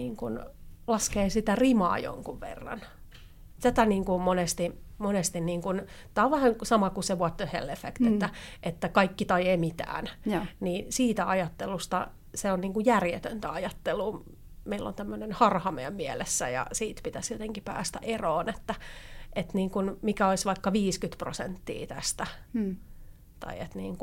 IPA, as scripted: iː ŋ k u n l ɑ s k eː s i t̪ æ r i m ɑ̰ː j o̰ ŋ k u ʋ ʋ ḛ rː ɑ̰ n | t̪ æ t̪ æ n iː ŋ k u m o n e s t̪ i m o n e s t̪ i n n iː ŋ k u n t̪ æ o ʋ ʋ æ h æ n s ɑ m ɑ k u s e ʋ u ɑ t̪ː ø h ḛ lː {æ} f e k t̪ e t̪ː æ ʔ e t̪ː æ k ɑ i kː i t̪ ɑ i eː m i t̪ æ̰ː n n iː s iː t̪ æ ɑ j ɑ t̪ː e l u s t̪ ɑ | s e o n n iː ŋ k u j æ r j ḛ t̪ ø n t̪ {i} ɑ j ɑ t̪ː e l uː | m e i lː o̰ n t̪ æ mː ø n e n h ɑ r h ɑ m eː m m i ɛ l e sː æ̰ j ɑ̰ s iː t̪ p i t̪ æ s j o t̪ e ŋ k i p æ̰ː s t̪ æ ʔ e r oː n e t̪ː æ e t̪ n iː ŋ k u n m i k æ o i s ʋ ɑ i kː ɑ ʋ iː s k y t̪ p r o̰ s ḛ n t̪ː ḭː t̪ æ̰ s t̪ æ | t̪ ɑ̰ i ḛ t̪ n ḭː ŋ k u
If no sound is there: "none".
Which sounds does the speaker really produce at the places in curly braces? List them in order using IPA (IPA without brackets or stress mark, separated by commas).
e, æ